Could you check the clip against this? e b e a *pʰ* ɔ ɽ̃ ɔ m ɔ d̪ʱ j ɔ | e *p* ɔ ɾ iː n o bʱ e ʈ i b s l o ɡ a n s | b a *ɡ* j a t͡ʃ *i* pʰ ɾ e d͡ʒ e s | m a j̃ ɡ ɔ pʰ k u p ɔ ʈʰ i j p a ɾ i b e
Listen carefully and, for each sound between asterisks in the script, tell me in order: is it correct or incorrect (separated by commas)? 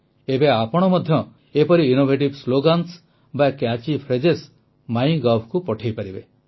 incorrect, correct, incorrect, correct